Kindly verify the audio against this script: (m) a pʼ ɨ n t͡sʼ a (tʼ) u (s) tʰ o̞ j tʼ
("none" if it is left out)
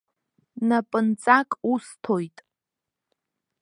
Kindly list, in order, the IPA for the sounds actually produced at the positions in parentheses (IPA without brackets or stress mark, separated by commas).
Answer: n, kʼ, s